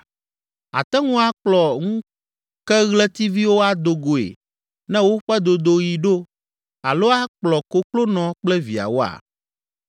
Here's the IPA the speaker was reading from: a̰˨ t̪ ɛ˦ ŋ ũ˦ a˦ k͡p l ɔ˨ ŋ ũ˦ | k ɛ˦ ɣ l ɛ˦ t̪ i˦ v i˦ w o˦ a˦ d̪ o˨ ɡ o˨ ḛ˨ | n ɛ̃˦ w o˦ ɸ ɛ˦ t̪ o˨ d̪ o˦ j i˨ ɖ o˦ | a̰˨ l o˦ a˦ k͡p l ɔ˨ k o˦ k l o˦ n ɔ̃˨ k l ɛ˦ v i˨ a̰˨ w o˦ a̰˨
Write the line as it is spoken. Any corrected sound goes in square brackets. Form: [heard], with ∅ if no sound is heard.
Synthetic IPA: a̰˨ t̪ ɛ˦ ŋ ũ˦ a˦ k͡p l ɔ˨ ŋ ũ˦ | k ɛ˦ ɣ l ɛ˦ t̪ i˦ v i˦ w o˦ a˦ d̪ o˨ ɡ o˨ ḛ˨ | n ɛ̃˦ w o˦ ɸ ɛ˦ [d̪] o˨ d̪ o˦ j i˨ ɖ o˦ | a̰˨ l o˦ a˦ k͡p l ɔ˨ k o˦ k l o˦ n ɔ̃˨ [k͡p] l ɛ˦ v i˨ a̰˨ w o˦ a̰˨